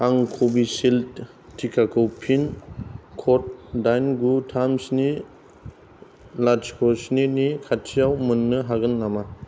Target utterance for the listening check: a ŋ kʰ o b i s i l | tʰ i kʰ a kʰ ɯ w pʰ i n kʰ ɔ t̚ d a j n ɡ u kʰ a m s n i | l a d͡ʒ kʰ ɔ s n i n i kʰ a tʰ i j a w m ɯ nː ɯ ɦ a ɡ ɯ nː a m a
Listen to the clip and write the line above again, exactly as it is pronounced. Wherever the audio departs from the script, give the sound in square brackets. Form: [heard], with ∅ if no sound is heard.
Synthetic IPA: a ŋ kʰ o b i s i l | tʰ i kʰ a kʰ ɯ w pʰ i n kʰ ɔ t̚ d a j n ɡ u [tʰ] a m s n i | l a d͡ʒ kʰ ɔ s n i n i kʰ a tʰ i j a w m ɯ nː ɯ ɦ a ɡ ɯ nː a m a